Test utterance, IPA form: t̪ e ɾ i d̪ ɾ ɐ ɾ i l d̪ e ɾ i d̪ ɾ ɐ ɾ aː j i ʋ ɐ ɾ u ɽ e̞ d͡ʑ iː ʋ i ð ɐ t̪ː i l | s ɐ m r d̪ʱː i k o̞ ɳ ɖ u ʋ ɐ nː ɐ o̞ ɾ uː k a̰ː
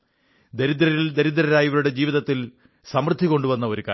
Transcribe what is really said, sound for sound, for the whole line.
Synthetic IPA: d̪ e ɾ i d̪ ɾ ɐ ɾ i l d̪ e ɾ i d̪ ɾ ɐ ɾ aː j i ʋ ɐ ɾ u ɽ e̞ d͡ʑ iː ʋ i ð ɐ t̪ː i l | s ɐ m r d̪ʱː i k o̞ ɳ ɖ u ʋ ɐ nː ɐ o̞ ɾ u k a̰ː